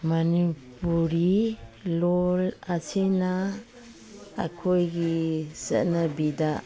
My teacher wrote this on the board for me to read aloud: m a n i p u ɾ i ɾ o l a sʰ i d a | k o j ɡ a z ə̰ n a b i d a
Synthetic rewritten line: m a n i p u ɾ i l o l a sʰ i n a | kʰ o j ɡ i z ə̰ n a b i d a